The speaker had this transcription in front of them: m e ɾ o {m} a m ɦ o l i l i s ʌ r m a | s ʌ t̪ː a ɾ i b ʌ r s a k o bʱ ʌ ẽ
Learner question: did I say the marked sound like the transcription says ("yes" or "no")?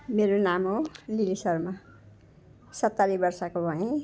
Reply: no